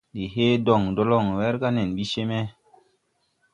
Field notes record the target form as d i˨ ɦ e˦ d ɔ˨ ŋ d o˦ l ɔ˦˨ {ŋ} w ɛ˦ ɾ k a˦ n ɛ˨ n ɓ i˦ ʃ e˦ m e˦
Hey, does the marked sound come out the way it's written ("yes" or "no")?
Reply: yes